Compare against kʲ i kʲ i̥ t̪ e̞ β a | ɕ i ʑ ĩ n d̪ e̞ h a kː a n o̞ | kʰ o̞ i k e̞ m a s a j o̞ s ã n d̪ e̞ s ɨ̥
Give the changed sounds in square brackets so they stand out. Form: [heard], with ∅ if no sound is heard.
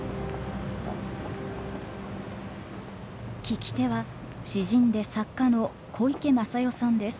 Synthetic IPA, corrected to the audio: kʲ i kʲ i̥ t̪ e̞ β a | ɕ i ʑ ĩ n d̪ e̞ [s] a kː a n o̞ | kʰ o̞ i k e̞ m a s a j o̞ s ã n d̪ e̞ s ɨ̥